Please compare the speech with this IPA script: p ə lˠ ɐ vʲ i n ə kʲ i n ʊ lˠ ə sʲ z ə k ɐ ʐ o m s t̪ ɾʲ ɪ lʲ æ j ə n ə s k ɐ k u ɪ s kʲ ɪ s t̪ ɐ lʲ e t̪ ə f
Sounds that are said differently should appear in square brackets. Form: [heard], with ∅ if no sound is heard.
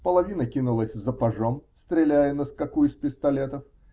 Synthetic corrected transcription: p ə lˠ ɐ vʲ i n ə kʲ i n ʊ lˠ ə sʲ z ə [p] ɐ ʐ o m s t̪ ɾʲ ɪ lʲ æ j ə n ə s k ɐ k u ɪ s [pʲ] ɪ s t̪ ɐ lʲ e t̪ ə f